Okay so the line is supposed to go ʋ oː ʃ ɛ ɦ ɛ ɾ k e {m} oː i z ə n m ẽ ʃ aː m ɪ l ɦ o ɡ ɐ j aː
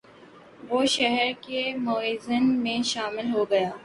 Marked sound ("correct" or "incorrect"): correct